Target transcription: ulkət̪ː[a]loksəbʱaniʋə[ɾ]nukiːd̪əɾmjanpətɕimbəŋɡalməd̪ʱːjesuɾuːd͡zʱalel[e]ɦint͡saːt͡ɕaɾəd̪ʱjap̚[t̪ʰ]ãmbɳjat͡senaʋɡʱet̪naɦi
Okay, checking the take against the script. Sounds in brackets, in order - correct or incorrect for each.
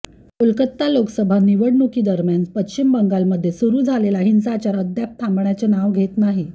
correct, incorrect, incorrect, correct

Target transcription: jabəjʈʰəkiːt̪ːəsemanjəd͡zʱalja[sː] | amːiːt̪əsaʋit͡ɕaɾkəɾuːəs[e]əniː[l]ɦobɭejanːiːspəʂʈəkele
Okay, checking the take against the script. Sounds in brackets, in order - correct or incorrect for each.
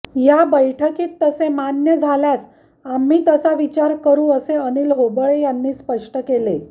incorrect, correct, correct

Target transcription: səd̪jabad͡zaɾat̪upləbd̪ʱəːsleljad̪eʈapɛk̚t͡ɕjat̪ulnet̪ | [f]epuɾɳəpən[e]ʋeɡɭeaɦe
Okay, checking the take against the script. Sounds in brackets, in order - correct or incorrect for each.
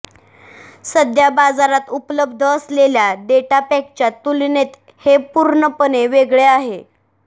incorrect, correct

